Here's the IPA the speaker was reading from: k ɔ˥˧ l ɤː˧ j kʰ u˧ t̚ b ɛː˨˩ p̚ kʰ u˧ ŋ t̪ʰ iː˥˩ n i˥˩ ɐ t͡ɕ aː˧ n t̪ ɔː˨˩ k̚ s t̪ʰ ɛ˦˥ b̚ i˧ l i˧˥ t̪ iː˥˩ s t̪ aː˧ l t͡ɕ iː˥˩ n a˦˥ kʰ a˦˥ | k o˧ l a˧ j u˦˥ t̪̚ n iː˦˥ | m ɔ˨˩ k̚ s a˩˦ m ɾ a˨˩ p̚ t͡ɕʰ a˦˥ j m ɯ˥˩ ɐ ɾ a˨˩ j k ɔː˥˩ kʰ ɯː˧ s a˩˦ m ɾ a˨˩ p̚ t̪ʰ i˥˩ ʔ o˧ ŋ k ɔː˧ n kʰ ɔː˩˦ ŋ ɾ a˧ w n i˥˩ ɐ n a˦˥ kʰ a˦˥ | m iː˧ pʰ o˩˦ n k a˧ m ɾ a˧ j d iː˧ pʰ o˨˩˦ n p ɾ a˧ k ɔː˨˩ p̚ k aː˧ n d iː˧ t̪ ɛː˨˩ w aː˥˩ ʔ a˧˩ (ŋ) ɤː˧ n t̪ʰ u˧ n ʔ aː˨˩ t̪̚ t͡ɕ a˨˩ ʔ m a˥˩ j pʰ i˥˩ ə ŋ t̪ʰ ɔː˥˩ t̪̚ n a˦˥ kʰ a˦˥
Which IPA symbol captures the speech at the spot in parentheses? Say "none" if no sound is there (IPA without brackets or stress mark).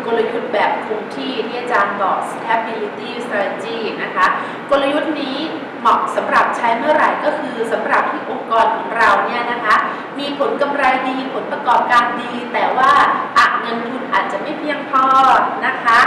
ŋ